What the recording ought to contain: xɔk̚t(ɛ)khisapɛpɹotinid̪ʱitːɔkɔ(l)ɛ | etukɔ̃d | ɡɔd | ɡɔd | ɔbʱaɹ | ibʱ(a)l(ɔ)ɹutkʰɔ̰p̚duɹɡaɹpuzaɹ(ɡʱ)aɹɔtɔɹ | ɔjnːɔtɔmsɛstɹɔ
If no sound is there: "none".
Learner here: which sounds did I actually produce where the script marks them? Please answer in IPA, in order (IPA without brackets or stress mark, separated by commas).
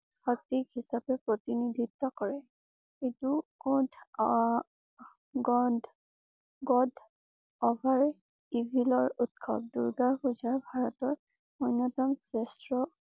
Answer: i, ɹ, i, ɔ, bʱ